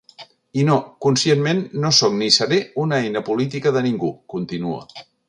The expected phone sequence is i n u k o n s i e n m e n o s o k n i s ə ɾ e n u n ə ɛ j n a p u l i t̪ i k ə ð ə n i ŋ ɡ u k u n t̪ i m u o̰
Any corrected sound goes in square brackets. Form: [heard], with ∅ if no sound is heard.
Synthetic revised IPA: i n [o] k [u] n s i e n m e [nː] o s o k n i s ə ɾ e [∅] u n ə ɛ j n [ə] p u l i t̪ i k ə ð ə n i ŋ ɡ u k u n t̪ i [n] u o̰